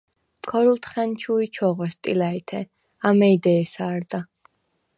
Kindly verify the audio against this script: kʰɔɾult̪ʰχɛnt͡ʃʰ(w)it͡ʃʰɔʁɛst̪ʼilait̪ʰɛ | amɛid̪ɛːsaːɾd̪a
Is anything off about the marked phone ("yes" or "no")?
yes